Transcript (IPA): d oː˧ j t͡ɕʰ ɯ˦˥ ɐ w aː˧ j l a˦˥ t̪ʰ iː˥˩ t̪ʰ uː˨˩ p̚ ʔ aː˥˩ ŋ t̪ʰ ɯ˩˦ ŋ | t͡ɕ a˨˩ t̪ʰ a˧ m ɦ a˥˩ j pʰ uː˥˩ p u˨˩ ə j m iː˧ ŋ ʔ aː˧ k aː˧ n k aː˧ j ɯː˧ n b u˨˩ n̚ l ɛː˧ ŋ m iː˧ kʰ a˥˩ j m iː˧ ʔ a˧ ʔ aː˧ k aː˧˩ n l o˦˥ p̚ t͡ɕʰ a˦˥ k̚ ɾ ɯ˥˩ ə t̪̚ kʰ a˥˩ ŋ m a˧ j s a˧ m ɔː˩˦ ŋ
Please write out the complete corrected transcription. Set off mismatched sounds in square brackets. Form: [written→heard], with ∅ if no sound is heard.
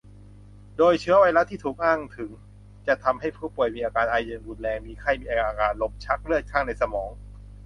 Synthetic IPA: d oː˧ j t͡ɕʰ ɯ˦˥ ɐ w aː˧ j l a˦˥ t̪ʰ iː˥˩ t̪ʰ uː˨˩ [p̚→k̚] ʔ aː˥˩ ŋ t̪ʰ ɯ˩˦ ŋ | t͡ɕ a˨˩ t̪ʰ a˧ m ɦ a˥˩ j pʰ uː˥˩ p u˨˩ ə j m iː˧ [ŋ→∅] ʔ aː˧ k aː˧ n [k→ʔ] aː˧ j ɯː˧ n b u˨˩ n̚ l ɛː˧ ŋ m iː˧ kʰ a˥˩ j m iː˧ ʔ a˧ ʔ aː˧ k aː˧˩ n l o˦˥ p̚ t͡ɕʰ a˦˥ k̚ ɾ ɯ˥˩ ə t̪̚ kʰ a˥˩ ŋ [m→n] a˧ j s a˧ m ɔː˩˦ ŋ